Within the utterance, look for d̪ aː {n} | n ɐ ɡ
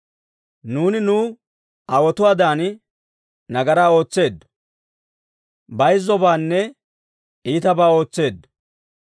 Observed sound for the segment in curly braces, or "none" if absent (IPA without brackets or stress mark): n